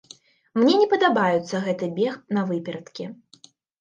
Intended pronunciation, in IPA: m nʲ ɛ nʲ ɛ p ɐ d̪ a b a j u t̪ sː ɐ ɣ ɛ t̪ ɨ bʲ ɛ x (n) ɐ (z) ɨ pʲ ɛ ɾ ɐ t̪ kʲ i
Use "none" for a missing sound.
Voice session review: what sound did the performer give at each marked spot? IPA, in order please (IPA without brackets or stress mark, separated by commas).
n, v